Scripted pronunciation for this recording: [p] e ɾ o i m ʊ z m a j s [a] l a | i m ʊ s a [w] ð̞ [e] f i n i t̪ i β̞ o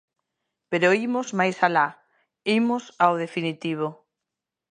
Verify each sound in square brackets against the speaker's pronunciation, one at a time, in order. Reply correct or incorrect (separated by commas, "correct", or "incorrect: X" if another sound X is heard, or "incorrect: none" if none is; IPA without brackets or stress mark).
correct, correct, correct, correct